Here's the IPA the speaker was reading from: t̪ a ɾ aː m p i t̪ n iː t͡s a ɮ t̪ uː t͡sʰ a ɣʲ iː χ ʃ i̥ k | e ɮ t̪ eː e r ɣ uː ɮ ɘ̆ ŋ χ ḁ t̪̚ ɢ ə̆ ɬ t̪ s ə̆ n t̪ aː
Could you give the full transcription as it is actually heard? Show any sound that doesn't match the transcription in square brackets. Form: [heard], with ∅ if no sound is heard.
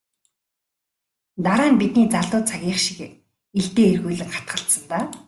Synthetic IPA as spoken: t̪ a ɾ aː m p i t̪ n iː t͡s a ɮ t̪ [ʊː] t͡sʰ a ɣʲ iː χ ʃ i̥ k | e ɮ t̪ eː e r ɣ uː ɮ ɘ̆ ŋ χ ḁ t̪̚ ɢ ə̆ ɬ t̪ s ə̆ n t̪ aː